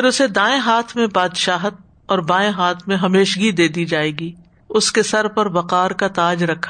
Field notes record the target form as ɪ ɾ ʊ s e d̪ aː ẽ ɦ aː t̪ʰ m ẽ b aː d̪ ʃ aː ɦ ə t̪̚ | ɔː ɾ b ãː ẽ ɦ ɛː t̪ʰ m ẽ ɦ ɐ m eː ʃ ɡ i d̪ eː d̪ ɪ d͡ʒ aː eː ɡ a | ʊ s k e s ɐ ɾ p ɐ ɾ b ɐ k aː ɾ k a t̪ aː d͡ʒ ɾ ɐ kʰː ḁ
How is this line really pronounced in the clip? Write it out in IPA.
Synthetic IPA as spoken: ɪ ɾ ʊ s e d̪ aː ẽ ɦ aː t̪ʰ m ẽ b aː d̪ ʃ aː ɦ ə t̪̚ | ɔː ɾ b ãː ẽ ɦ aː t̪ʰ m ẽ ɦ ɐ m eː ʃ ɡ i d̪ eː d̪ i d͡ʒ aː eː ɡ i | ʊ s k e s ɐ ɾ p ɐ ɾ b ɐ q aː ɾ k a t̪ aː d͡ʒ ɾ ɐ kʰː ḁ